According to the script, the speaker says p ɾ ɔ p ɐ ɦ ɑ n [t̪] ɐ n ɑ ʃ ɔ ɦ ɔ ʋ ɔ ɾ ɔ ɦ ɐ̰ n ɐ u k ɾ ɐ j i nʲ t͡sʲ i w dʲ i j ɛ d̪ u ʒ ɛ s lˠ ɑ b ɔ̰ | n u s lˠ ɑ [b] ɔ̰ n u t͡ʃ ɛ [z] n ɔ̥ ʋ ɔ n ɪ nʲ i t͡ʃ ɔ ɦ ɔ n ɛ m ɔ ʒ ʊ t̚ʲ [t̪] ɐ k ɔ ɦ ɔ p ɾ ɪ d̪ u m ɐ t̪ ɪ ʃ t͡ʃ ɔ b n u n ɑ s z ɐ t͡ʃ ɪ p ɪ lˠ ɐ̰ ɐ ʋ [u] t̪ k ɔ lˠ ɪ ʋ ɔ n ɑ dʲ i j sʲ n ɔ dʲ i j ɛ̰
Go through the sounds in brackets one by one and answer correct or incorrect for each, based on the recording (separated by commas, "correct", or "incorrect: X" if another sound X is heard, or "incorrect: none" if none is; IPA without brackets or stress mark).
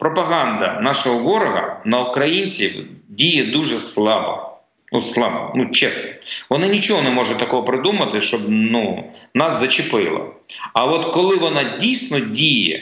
incorrect: d̪, correct, incorrect: s, correct, incorrect: ɔ